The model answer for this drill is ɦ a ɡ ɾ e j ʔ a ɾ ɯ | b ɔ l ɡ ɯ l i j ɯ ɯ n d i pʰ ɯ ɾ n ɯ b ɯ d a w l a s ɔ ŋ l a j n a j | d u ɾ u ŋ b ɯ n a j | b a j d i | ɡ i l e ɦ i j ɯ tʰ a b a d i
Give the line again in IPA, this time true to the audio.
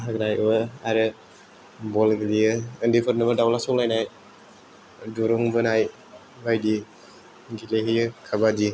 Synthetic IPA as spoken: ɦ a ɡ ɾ a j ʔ a ɾ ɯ | b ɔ l ɡ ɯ l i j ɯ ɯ n d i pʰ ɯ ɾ n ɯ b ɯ d a w l a s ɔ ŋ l a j n a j | d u ɾ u ŋ b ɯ n a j | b a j d i | ɡ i l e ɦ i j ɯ kʰ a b a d i